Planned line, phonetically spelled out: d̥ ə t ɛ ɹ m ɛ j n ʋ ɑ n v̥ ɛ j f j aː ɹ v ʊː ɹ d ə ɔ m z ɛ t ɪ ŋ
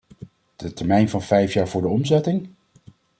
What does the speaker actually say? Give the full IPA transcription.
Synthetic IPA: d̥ ə t ɛ ɹ m ɛ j n v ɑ n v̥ ɛ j f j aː ɹ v ʊː ɹ d ə ɔ m z ɛ t ɪ ŋ